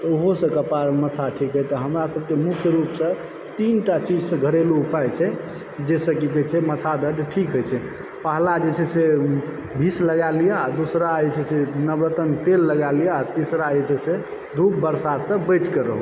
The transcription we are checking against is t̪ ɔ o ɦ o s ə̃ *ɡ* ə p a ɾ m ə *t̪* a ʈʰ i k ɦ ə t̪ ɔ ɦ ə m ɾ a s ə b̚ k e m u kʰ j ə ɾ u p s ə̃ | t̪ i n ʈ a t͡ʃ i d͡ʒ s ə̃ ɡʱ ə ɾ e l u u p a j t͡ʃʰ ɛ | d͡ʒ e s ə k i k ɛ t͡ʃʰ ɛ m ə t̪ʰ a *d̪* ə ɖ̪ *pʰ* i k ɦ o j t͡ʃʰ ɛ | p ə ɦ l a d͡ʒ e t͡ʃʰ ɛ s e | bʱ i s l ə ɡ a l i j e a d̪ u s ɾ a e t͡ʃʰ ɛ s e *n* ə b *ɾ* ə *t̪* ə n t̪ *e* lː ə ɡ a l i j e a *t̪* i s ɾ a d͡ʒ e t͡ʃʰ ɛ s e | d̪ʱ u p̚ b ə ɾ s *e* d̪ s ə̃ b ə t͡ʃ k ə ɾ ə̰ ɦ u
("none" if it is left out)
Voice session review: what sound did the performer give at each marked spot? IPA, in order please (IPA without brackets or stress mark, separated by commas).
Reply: k, t̪ʰ, d̪, ʈʰ, n, ɾ, t̪, e, t̪, a